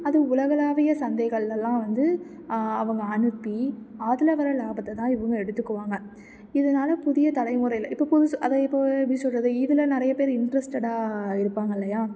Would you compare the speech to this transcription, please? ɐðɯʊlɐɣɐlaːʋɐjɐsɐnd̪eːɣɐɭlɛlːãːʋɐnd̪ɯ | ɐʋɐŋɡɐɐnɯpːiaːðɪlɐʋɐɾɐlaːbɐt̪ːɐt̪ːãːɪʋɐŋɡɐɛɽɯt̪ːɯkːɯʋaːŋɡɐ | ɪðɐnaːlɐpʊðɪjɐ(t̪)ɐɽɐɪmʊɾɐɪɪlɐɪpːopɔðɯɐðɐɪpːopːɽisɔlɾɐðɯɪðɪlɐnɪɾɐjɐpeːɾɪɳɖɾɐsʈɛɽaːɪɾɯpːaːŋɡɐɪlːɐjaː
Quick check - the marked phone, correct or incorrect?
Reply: correct